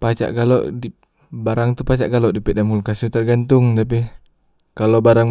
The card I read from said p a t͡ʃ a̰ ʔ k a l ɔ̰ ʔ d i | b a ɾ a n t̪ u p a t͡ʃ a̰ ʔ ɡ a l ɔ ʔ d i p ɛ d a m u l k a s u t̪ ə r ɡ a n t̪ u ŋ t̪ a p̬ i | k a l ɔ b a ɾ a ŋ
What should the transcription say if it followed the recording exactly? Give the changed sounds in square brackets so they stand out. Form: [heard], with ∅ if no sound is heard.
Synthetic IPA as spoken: p a t͡ʃ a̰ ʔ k a l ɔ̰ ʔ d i | b a ɾ a [ŋ] t̪ u p a t͡ʃ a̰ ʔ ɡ a l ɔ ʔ d i p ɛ d a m u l k a s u t̪ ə r ɡ a n t̪ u ŋ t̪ a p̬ i | k a l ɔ b a ɾ a ŋ